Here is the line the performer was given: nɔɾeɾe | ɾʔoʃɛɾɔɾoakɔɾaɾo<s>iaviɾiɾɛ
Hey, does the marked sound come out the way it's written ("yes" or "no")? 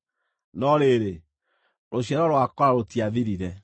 no